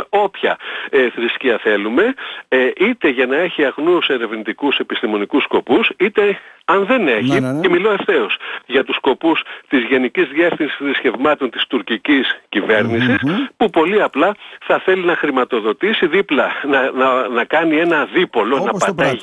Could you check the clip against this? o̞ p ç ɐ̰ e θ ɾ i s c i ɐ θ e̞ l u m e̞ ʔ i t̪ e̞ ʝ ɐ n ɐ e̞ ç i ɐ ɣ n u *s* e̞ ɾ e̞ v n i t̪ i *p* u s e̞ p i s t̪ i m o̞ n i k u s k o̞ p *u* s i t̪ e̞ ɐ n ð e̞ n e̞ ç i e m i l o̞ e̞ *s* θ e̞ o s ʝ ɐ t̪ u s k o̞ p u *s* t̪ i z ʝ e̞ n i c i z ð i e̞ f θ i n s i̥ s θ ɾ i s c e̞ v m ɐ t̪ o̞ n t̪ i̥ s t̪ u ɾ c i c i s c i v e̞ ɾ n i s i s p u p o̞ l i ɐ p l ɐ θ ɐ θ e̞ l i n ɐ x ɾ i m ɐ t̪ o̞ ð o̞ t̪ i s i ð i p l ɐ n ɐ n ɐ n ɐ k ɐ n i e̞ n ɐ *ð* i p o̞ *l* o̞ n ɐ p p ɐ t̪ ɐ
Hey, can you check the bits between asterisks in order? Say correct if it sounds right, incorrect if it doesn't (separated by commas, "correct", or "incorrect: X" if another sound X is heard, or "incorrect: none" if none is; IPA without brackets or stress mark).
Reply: correct, incorrect: k, correct, incorrect: f, correct, correct, correct